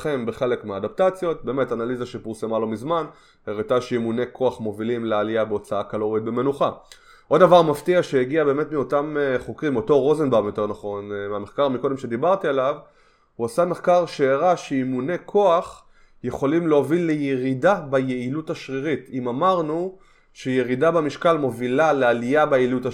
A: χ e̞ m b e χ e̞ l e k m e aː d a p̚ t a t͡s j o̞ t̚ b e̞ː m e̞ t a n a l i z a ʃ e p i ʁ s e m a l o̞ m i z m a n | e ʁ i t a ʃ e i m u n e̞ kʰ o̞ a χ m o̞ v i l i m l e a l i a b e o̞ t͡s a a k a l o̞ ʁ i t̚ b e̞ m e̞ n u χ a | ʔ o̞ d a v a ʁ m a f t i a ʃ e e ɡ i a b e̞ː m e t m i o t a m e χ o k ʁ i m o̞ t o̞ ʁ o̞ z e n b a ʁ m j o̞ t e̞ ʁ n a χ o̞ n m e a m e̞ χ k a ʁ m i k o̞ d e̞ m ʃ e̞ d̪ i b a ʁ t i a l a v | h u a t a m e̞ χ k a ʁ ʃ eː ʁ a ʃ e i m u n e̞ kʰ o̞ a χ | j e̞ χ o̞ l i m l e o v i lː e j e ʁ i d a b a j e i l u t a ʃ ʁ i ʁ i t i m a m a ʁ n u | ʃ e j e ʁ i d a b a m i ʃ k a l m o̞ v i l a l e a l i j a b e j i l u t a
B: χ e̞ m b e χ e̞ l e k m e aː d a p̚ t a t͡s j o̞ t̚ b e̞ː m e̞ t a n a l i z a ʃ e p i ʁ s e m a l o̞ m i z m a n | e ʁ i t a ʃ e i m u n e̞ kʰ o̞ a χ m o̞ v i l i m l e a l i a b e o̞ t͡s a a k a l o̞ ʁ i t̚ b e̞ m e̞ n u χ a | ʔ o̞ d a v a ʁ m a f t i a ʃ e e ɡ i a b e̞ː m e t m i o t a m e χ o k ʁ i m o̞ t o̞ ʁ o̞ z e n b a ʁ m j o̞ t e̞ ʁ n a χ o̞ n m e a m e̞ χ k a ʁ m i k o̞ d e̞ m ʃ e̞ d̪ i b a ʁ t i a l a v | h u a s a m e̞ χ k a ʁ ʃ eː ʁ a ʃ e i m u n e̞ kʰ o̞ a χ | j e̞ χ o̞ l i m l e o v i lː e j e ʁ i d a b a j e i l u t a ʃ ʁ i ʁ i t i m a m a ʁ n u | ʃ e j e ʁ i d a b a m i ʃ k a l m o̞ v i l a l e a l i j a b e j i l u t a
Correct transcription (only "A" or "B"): B